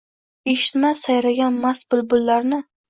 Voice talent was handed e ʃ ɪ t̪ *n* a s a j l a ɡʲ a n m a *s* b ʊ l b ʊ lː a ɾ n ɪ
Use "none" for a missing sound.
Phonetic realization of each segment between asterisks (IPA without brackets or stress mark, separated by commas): m, s